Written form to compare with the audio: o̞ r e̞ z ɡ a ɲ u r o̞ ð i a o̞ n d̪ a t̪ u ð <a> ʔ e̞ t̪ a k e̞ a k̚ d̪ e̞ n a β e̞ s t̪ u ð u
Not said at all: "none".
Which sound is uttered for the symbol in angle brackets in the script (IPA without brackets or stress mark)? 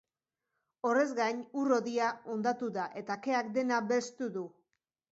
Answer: a